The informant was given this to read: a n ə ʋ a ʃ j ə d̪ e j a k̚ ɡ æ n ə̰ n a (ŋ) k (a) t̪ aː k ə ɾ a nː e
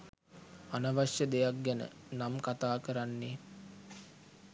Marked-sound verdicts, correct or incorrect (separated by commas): incorrect, correct